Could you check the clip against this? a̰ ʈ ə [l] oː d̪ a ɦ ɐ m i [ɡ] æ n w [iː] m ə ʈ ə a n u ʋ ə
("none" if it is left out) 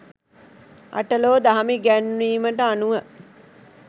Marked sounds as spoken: l, ɡ, iː

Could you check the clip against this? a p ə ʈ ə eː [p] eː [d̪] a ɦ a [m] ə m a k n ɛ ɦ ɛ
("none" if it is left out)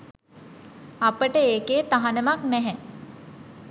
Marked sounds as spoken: k, t̪, n

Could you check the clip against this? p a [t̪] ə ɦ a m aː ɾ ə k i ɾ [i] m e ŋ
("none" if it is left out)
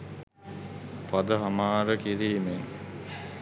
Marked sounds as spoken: d̪, iː

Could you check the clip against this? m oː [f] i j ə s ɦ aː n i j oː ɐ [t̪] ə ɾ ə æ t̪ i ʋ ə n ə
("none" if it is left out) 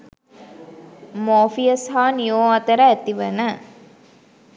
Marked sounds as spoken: f, t̪

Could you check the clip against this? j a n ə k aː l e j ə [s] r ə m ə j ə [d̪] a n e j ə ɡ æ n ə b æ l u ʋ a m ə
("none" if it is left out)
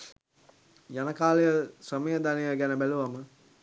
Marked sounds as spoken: s, d̪

